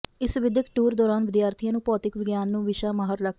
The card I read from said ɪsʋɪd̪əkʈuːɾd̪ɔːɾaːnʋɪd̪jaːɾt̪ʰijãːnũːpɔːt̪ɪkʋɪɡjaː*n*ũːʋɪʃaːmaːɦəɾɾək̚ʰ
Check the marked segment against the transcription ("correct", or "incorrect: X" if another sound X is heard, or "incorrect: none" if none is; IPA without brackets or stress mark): incorrect: nː